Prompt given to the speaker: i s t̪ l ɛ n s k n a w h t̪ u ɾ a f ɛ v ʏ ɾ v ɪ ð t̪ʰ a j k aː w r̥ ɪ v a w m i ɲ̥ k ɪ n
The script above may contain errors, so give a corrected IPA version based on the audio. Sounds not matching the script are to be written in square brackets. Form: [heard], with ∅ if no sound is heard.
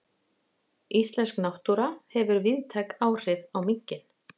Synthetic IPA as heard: i s t̪ l ɛ n s k n a w h t̪ u ɾ a [h] ɛ v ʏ ɾ v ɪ ð t̪ʰ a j k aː w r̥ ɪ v a w m i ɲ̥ [c] ɪ n